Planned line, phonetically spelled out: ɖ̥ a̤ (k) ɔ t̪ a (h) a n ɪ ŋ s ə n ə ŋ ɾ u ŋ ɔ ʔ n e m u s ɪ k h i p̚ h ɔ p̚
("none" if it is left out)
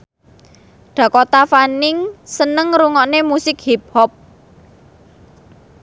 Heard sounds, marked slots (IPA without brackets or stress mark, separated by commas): k, f